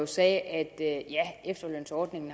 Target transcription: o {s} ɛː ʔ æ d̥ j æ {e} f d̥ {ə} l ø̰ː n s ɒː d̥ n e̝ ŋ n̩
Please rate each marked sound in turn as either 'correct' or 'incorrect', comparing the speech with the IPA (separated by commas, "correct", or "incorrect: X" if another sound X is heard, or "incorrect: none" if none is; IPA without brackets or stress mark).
correct, correct, incorrect: ɐ